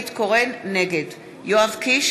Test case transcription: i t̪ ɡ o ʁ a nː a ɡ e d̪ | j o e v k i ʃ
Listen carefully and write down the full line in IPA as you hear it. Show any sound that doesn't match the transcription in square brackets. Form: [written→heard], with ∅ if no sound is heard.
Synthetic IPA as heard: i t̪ [ɡ→k] o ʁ [a→e] nː [a→e] ɡ e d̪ | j o [e→a] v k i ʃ